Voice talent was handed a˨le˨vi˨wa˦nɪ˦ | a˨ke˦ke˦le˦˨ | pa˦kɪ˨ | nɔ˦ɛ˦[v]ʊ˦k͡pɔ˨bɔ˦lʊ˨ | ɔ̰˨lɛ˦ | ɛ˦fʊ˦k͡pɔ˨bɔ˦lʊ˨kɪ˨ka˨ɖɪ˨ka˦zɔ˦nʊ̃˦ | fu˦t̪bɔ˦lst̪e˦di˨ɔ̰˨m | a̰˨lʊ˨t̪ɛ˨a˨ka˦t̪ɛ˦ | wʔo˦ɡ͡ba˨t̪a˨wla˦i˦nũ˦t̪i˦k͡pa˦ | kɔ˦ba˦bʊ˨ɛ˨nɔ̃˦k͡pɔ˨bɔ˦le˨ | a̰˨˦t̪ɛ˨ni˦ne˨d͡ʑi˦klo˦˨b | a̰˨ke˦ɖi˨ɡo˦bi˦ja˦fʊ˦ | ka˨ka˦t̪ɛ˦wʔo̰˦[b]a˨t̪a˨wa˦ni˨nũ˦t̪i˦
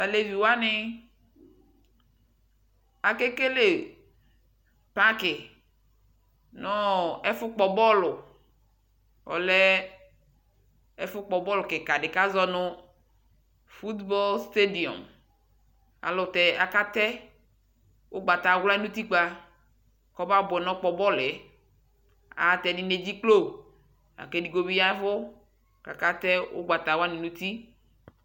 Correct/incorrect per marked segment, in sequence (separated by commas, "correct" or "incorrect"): incorrect, incorrect